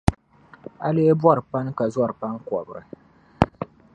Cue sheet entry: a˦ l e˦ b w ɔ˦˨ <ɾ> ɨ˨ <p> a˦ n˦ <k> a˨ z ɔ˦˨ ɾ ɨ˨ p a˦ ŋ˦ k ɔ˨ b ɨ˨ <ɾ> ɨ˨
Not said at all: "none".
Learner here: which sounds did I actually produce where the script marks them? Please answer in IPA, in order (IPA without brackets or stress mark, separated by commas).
ɾ, p, k, ɾ